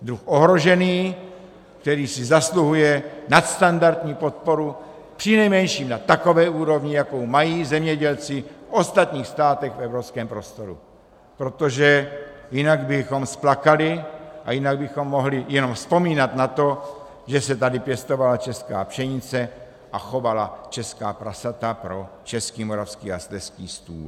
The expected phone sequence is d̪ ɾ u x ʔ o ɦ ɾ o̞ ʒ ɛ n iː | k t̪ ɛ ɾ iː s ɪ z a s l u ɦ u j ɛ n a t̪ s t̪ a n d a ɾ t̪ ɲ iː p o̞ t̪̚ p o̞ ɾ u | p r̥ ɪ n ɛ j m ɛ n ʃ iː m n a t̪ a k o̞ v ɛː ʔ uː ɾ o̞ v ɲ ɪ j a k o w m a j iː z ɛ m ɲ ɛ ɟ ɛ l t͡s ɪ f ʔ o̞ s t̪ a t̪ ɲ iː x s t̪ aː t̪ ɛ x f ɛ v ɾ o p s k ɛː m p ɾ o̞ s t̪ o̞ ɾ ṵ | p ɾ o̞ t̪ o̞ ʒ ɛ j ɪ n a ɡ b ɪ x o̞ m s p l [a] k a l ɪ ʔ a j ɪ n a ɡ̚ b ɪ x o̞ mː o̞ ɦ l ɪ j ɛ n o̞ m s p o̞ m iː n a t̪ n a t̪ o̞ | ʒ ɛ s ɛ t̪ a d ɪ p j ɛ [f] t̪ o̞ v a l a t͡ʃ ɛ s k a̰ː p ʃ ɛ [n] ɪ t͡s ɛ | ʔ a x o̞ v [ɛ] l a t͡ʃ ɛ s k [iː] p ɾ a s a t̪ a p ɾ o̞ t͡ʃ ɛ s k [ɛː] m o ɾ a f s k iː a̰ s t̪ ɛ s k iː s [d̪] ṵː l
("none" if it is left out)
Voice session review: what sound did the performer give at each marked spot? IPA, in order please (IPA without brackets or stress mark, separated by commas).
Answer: a, s, ɲ, a, aː, iː, t̪